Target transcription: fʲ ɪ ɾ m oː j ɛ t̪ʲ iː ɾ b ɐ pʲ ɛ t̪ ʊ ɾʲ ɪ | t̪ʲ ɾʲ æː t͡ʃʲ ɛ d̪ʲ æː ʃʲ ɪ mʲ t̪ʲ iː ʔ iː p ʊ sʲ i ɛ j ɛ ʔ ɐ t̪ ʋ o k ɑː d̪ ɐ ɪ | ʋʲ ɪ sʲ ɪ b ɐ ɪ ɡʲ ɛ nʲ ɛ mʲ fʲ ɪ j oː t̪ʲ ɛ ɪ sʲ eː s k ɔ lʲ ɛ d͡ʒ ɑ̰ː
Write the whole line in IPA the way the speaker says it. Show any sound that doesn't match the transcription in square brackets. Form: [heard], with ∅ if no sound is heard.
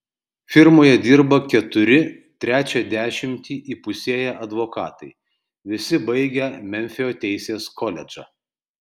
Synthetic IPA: fʲ ɪ ɾ m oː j ɛ [d̪ʲ] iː ɾ b ɐ [kʲ] ɛ t̪ ʊ ɾʲ ɪ | t̪ʲ ɾʲ æː t͡ʃʲ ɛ d̪ʲ æː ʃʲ ɪ mʲ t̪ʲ iː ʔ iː p ʊ sʲ i ɛ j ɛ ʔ ɐ [d̪] ʋ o k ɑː [t̪] ɐ ɪ | ʋʲ ɪ sʲ ɪ b ɐ ɪ ɡʲ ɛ [mʲ] ɛ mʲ fʲ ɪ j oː t̪ʲ ɛ ɪ sʲ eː s k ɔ lʲ ɛ d͡ʒ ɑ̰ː